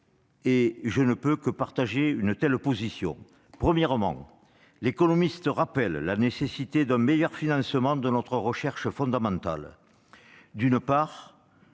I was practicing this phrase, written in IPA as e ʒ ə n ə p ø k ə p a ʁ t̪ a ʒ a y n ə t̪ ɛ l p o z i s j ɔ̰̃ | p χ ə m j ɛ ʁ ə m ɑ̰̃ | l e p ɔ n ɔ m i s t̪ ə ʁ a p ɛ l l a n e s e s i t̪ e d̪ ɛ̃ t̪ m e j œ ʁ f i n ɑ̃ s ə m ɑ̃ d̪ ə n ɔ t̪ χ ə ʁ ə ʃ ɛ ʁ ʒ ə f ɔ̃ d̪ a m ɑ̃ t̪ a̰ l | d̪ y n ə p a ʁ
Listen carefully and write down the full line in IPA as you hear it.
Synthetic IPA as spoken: e ʒ ə n ə p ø k ə p a ʁ t̪ a ʒ e y n ə t̪ ɛ l p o z i s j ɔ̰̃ | p χ ə m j ɛ ʁ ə m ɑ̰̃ | l e k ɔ n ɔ m i s t̪ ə ʁ a p ɛ l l a n e s e s i t̪ e d̪ ɛ̃ m e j œ ʁ f i n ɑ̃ s ə m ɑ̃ d̪ ə n ɔ t̪ χ ə ʁ ə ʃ ɛ ʁ ʃ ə f ɔ̃ d̪ a m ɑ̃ t̪ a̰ l | d̪ y n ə p a ʁ